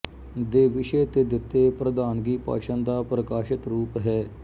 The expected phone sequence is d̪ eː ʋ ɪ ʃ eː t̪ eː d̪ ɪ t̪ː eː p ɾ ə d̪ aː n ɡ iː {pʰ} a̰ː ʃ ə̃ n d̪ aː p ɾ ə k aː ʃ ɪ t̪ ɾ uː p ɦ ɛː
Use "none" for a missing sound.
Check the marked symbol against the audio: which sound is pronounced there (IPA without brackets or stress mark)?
p